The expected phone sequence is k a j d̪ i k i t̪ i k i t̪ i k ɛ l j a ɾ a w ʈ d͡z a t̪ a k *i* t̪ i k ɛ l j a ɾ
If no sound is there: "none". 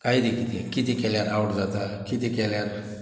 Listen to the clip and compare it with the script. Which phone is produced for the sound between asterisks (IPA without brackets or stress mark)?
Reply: i